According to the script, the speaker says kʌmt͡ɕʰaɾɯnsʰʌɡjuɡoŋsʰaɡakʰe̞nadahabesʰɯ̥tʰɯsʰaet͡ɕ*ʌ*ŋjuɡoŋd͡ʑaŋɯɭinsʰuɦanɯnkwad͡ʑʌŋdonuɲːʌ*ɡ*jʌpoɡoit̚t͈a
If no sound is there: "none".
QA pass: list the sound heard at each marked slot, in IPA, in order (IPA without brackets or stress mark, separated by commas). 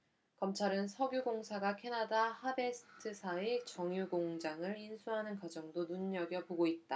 ʌ, ɡ